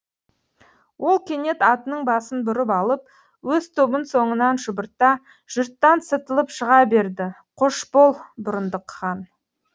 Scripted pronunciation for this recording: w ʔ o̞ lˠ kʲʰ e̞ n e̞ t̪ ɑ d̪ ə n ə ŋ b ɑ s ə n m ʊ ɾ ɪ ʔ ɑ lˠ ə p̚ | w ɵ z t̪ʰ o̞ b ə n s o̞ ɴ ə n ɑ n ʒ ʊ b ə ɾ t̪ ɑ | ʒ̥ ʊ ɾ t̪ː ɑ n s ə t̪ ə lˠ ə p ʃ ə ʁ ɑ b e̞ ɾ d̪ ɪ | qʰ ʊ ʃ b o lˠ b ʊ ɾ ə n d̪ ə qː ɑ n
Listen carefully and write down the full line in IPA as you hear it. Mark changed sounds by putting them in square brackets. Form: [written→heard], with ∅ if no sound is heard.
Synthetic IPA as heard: w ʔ o̞ lˠ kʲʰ e̞ n e̞ t̪ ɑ [d̪→t̪] ə n ə [ŋ→ɴ] b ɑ s ə n [m→b] ʊ ɾ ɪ [ʔ→p] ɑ lˠ ə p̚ | w ɵ z t̪ʰ o̞ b ə n s o̞ ɴ ə n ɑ n ʒ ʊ b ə ɾ t̪ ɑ | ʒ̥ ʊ ɾ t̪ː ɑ n s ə t̪ ə lˠ ə p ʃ ə ʁ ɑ b e̞ ɾ d̪ ɪ | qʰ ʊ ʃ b o lˠ b ʊ ɾ ə n d̪ ə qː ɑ n

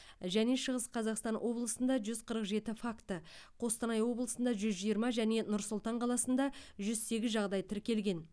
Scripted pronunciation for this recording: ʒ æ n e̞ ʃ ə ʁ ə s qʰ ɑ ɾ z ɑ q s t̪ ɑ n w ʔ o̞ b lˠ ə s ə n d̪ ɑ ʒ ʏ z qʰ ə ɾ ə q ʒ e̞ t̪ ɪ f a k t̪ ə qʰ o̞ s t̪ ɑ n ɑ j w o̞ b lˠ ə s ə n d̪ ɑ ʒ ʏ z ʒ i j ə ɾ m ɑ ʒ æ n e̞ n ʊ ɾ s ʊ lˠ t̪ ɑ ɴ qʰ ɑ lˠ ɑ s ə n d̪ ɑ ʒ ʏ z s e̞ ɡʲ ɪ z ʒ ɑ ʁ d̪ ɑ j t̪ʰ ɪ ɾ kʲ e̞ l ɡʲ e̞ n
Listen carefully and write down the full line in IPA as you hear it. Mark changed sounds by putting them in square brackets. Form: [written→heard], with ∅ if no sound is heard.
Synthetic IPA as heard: ʒ æ n e̞ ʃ ə ʁ ə s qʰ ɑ [ɾ→∅] z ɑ q s t̪ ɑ n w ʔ o̞ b lˠ ə s ə n d̪ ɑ ʒ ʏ z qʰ ə ɾ ə q ʒ e̞ t̪ ɪ f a k t̪ ə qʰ o̞ s t̪ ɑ n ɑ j w o̞ b lˠ ə s ə n d̪ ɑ ʒ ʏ z ʒ i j ə ɾ m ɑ ʒ æ n e̞ n ʊ ɾ s ʊ lˠ t̪ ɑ ɴ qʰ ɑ lˠ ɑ s ə n d̪ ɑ ʒ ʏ z s e̞ ɡʲ ɪ z ʒ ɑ ʁ d̪ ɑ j t̪ʰ ɪ ɾ kʲ e̞ l ɡʲ e̞ n

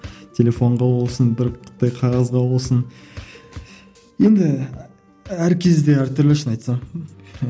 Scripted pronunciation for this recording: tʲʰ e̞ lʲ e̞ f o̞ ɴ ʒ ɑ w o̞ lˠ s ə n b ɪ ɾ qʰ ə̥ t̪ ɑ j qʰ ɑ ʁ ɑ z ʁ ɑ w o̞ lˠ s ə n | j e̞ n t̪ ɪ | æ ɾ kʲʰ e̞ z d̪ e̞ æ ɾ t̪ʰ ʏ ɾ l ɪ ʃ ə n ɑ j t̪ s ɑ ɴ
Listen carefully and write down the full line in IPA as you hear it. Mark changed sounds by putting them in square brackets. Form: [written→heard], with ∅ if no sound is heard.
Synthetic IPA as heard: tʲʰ e̞ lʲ e̞ f o̞ ɴ [ʒ→ʁ] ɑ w o̞ lˠ s ə n b ɪ ɾ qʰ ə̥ t̪ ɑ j qʰ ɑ ʁ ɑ z ʁ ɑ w o̞ lˠ s ə n | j e̞ n [t̪→d̪] ɪ | æ ɾ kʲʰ e̞ z d̪ e̞ æ ɾ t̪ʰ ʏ ɾ l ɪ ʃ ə n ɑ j t̪ s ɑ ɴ

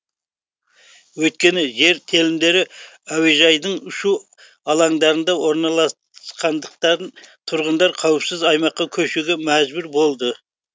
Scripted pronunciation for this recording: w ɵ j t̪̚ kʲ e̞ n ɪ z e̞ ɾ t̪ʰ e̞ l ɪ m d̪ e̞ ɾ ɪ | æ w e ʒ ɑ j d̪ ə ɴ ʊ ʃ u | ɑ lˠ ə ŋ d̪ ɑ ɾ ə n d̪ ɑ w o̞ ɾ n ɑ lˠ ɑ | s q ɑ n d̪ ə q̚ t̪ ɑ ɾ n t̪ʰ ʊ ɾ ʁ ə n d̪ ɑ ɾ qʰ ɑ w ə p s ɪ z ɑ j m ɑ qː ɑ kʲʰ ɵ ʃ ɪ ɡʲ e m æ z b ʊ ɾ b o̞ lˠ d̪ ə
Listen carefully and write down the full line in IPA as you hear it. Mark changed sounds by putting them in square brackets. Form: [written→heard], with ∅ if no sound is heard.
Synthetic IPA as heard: w ɵ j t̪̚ kʲ e̞ n ɪ [z→ʒ] e̞ ɾ t̪ʰ e̞ l ɪ m d̪ e̞ ɾ ɪ | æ w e ʒ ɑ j d̪ ə ɴ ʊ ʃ u | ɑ lˠ [ə→ɑ] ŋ d̪ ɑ ɾ ə n d̪ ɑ w o̞ ɾ n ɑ lˠ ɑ | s q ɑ n d̪ ə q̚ t̪ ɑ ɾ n t̪ʰ ʊ ɾ ʁ ə n d̪ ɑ ɾ qʰ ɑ w ə p s ɪ z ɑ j m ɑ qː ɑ kʲʰ ɵ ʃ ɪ ɡʲ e m æ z b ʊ ɾ b o̞ lˠ d̪ ə

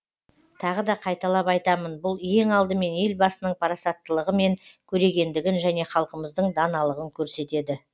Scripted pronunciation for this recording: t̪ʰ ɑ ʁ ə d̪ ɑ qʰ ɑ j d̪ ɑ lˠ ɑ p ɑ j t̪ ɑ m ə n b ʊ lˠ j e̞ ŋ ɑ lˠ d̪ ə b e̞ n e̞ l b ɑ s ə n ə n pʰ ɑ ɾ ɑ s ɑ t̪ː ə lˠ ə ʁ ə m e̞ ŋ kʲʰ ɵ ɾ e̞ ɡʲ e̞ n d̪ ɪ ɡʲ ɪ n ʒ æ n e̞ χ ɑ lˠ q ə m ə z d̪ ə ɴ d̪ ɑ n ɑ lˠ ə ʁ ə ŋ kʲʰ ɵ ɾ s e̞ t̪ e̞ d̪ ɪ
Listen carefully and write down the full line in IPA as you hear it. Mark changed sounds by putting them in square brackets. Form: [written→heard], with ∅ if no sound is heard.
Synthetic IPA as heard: t̪ʰ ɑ ʁ ə d̪ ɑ qʰ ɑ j [d̪→t̪] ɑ lˠ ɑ p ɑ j t̪ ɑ m ə n b ʊ lˠ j e̞ ŋ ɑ lˠ d̪ ə [b→m] e̞ n e̞ l b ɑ s ə n ə [n→ɴ] pʰ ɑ ɾ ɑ s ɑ t̪ː ə lˠ ə ʁ ə m e̞ ŋ kʲʰ ɵ ɾ e̞ ɡʲ e̞ n d̪ ɪ ɡʲ ɪ n ʒ æ n e̞ χ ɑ lˠ q ə m ə z d̪ ə ɴ d̪ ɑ n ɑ lˠ ə ʁ ə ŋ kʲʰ ɵ ɾ s e̞ t̪ e̞ d̪ ɪ

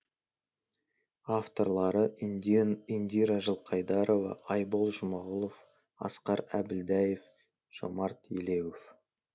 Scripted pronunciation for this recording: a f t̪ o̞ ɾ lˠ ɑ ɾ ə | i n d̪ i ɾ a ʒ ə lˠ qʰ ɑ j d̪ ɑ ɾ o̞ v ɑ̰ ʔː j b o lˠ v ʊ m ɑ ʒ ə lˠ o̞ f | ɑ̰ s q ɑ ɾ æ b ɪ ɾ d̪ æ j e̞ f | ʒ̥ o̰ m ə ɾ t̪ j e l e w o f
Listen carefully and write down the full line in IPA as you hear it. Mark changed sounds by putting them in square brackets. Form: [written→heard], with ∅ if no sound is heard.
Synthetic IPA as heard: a f t̪ o̞ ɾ lˠ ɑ ɾ ə | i n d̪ i ɾ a ʒ ə lˠ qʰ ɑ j d̪ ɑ ɾ o̞ v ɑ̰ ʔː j b o lˠ [v→ʒ] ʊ m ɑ [ʒ→ʁ] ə lˠ o̞ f | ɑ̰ s q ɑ ɾ æ b ɪ [ɾ→l] d̪ æ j e̞ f | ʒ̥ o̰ m [ə→ɑ] ɾ t̪ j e l e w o f

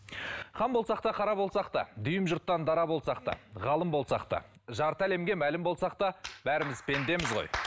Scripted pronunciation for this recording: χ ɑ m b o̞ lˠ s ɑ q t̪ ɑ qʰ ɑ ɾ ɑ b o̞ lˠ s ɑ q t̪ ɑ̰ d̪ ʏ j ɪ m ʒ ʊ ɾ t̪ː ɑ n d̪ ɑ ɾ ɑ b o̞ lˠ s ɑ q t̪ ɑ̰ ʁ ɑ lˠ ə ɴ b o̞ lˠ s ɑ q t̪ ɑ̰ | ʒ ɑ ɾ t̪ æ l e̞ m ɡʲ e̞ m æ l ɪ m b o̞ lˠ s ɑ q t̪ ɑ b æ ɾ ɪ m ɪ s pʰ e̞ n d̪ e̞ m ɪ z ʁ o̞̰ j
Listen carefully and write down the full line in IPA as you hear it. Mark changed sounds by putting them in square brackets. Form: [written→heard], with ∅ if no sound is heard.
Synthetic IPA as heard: χ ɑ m b o̞ lˠ s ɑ q t̪ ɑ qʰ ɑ ɾ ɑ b o̞ lˠ s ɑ q t̪ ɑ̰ d̪ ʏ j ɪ m ʒ ʊ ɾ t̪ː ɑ n d̪ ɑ ɾ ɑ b o̞ lˠ s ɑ q t̪ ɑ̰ ʁ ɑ lˠ ə [ɴ→m] b o̞ lˠ s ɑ q t̪ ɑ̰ | ʒ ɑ ɾ t̪ æ l e̞ m ɡʲ e̞ m æ l ɪ m b o̞ lˠ s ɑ q t̪ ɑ b æ ɾ ɪ m ɪ [s→z] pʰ e̞ n d̪ e̞ m ɪ z ʁ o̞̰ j

